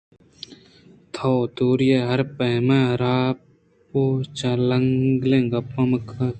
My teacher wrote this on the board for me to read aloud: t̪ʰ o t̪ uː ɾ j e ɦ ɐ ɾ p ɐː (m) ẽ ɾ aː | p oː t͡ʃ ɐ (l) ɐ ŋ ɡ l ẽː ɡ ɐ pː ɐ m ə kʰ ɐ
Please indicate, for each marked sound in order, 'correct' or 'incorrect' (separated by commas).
correct, correct